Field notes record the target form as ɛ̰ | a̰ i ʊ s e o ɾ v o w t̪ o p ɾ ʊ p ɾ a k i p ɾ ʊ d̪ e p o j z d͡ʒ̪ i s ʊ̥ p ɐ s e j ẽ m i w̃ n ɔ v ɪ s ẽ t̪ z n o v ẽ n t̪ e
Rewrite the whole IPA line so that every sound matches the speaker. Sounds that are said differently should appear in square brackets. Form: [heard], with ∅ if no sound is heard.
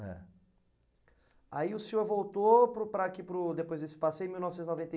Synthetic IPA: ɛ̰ | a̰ i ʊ s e o ɾ v o w t̪ o p ɾ ʊ p ɾ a k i p ɾ ʊ d̪ e p o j z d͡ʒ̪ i s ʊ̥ p [a] s e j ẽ m i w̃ n ɔ v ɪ s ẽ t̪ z n o v ẽ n t̪ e